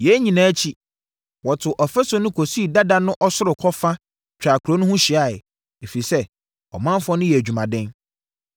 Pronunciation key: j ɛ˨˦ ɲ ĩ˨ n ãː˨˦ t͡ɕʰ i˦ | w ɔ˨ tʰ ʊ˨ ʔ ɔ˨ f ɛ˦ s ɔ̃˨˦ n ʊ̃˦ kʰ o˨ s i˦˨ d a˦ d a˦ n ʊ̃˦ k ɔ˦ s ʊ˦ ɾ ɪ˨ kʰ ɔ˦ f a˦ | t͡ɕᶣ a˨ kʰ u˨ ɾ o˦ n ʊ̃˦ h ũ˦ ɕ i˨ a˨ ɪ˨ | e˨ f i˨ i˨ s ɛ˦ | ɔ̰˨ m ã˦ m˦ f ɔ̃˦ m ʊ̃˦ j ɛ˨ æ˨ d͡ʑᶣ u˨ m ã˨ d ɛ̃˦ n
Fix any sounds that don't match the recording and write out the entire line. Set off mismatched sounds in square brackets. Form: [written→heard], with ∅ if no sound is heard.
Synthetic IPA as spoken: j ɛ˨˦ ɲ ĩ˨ n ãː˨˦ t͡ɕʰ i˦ | w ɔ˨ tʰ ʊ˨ ʔ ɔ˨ f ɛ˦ s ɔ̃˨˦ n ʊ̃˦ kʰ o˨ s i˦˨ d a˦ d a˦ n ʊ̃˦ [k→ʔ] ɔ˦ s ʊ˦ ɾ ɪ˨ kʰ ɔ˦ f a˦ | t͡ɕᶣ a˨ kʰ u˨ ɾ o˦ n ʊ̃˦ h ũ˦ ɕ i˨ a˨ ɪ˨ | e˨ f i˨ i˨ s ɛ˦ | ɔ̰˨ m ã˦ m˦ f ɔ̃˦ [m→n] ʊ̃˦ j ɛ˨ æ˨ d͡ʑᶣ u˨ m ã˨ d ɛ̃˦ n